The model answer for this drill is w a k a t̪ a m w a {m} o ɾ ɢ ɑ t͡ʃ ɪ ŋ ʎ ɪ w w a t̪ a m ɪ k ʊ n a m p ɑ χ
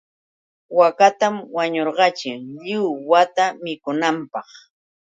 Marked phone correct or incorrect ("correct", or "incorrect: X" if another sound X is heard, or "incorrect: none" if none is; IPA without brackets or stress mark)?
incorrect: ɲ